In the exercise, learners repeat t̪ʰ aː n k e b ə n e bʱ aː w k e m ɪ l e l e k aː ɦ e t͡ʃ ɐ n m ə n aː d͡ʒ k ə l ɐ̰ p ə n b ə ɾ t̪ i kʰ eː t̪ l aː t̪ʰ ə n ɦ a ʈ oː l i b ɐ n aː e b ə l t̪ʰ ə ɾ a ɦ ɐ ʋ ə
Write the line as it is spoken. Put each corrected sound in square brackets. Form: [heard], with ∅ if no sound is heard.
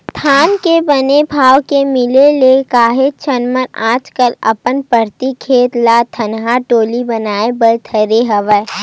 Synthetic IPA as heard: t̪ʰ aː n k e b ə n e bʱ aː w k e m ɪ l e l e k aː ɦ e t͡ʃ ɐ n m ə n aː d͡ʒ k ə l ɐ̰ p ə n [p] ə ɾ t̪ i kʰ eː t̪ l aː t̪ʰ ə n ɦ a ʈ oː l i b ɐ n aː e b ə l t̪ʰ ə ɾ [e] ɦ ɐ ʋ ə